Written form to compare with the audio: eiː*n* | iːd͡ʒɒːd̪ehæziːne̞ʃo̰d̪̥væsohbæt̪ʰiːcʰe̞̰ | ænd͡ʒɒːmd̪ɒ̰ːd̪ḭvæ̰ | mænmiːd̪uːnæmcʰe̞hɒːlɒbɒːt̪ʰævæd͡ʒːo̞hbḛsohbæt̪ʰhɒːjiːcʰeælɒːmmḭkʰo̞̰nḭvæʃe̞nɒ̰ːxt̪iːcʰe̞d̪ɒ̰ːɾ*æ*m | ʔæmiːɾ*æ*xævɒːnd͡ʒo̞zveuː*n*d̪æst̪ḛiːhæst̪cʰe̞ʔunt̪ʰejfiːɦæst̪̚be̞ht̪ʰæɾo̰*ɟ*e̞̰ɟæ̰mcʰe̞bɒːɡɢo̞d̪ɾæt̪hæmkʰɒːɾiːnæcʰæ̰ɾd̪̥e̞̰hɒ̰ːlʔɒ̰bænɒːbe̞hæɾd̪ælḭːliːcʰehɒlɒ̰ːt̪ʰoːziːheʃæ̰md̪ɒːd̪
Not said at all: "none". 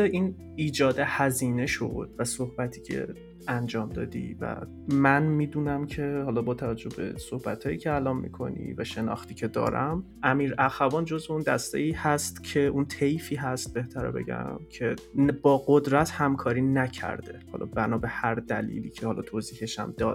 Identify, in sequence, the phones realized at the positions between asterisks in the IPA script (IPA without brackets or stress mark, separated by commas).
n, æ, æ, n, b